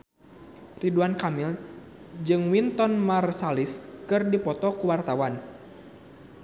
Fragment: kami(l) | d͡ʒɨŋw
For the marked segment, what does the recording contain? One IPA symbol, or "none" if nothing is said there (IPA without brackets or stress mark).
l